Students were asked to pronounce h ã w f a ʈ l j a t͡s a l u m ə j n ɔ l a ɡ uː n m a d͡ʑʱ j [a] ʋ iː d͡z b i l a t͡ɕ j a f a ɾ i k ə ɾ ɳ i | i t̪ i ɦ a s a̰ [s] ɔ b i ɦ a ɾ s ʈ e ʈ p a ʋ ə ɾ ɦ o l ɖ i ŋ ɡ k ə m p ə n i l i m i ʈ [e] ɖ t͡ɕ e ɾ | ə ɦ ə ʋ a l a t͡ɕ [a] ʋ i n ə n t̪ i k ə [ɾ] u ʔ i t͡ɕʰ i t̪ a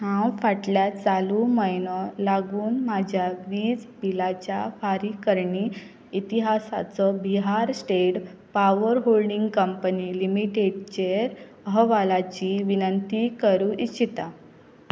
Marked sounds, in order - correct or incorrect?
correct, incorrect: t͡s, correct, incorrect: i, correct

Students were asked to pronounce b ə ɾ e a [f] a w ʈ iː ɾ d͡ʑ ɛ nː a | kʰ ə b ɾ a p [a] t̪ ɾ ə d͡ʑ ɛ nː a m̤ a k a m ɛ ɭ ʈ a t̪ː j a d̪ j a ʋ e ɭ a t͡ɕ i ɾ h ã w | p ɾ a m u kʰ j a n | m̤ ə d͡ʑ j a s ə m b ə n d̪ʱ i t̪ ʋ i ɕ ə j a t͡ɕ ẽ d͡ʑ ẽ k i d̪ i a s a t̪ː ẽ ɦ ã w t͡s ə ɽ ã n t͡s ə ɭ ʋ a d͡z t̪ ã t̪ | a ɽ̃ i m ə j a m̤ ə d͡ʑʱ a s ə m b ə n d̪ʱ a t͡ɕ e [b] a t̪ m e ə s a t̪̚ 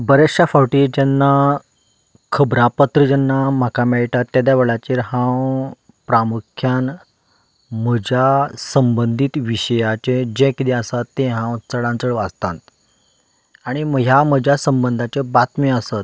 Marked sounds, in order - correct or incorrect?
correct, incorrect: ə, correct

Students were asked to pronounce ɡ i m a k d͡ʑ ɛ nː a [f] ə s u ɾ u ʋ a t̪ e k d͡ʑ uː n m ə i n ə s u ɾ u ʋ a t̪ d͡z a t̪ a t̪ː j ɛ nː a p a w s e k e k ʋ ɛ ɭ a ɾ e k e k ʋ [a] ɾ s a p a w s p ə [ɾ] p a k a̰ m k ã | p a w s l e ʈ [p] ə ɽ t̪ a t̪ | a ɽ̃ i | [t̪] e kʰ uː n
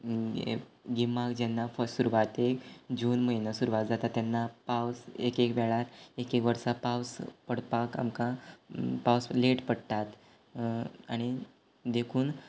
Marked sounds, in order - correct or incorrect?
correct, incorrect: ə, incorrect: ɽ, correct, incorrect: d̪

